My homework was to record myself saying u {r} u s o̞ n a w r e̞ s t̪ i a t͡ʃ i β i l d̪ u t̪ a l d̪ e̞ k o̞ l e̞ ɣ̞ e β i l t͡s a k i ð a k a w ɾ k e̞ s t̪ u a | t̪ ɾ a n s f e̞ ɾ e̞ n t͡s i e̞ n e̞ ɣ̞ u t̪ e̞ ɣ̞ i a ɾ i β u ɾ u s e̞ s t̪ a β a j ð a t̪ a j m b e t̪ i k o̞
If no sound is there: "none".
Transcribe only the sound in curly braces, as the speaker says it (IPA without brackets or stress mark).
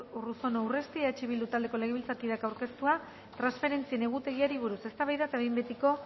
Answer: r